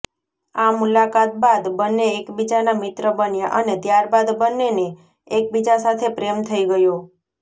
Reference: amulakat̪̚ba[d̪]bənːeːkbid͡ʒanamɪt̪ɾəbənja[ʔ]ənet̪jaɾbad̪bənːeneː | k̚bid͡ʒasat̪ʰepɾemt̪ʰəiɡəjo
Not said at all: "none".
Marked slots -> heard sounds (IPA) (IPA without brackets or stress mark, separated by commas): d̪, ʔ